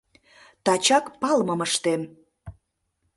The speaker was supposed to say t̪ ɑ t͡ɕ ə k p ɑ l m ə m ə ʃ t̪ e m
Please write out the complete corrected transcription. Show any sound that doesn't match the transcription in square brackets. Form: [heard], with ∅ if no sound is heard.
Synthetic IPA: t̪ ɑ t͡ɕ [ɑ] k p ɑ l m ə m ə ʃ t̪ e m